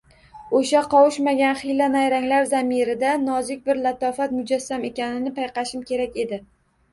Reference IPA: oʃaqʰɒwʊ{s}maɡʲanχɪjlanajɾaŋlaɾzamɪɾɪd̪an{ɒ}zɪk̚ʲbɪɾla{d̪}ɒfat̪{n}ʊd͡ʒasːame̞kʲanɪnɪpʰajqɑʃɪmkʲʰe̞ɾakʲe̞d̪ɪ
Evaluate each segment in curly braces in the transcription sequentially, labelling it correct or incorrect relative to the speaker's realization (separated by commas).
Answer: incorrect, correct, incorrect, incorrect